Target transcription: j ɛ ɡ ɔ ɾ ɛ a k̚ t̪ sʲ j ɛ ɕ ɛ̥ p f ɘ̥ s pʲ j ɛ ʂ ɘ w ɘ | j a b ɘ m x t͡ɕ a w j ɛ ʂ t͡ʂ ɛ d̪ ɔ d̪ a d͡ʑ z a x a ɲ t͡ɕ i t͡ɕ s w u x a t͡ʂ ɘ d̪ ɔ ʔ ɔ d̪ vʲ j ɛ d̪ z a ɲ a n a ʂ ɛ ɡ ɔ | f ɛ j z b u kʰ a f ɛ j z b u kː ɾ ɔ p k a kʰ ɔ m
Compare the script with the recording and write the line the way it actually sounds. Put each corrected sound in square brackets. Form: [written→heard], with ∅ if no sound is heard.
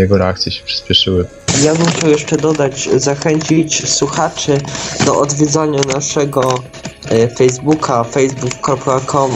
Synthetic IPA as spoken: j ɛ ɡ ɔ ɾ ɛ a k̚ t̪ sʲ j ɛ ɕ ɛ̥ p [f→ʂ] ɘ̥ s pʲ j ɛ ʂ ɘ w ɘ | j a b ɘ m x t͡ɕ a w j ɛ ʂ t͡ʂ ɛ d̪ ɔ d̪ a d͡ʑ z a x [a→ɛ] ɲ t͡ɕ i t͡ɕ s w u x a t͡ʂ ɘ d̪ ɔ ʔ ɔ d̪ vʲ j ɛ d̪ z a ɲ a n a ʂ ɛ ɡ ɔ | f ɛ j z b u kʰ a f ɛ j z b u kː ɾ ɔ p k a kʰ ɔ m